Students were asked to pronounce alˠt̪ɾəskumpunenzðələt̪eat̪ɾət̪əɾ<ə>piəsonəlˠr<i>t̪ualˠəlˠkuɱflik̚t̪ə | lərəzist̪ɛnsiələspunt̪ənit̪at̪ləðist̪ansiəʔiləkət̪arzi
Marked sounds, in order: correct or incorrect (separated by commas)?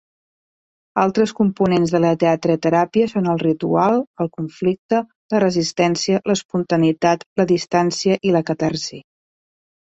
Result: incorrect, correct